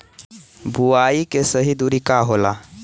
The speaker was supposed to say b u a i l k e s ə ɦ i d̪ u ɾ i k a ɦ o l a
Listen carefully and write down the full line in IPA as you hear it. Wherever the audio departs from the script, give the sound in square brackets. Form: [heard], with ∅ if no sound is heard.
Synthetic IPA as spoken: b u a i [∅] k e s ə ɦ i d̪ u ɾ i k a ɦ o l a

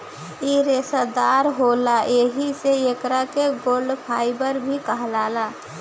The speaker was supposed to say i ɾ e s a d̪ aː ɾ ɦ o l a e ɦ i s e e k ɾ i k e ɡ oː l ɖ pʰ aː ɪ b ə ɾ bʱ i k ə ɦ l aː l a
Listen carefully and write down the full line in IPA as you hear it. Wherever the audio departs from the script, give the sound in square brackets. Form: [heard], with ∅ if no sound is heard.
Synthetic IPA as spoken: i ɾ e s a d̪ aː ɾ ɦ o l a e ɦ i s e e k ɾ [a] k e ɡ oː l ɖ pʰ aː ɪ b ə ɾ bʱ i k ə ɦ l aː l a

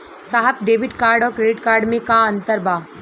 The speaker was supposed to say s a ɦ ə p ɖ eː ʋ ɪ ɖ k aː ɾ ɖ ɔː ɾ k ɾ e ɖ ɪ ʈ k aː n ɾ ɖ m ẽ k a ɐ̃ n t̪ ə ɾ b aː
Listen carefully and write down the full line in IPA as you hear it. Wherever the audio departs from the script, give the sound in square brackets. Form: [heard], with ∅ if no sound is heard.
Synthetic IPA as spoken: s a ɦ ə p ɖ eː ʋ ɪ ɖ k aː ɾ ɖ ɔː ɾ k ɾ e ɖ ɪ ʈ k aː [∅] ɾ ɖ m ẽ k a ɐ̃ n t̪ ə ɾ b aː

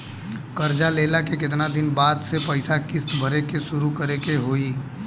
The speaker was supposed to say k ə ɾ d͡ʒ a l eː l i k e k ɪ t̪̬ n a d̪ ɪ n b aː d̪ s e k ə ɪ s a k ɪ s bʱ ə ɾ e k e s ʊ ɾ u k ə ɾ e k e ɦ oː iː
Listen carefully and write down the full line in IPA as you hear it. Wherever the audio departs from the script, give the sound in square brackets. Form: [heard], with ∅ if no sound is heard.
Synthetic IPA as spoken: k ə ɾ d͡ʒ a l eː l [a] k e k ɪ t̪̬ n a d̪ ɪ n b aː d̪ s e [p] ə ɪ s a k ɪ s bʱ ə ɾ e k e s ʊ ɾ u k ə ɾ e k e ɦ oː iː

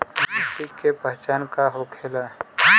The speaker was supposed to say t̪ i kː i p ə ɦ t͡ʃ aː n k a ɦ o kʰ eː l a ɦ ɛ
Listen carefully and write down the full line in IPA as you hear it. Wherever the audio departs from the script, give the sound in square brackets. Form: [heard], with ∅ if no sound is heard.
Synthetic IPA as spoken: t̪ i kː [e] p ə ɦ t͡ʃ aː n k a ɦ o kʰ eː l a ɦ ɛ

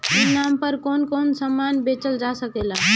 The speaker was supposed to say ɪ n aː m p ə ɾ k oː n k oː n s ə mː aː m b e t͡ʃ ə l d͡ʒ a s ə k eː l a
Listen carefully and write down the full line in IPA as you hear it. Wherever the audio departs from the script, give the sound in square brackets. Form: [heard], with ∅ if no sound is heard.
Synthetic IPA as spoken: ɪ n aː m p ə ɾ k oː n k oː n s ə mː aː [n] b e t͡ʃ ə l d͡ʒ a s ə k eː l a

